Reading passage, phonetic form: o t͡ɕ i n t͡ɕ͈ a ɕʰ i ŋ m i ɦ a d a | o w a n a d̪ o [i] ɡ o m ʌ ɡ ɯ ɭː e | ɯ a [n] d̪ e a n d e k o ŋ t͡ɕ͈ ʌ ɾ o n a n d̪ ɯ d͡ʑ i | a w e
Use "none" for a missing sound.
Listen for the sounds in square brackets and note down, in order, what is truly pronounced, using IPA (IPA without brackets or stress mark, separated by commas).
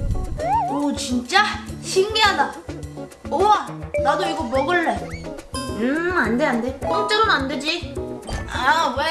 i, n